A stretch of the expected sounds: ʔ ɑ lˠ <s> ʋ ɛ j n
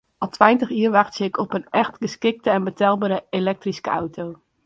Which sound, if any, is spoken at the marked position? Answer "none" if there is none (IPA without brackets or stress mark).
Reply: t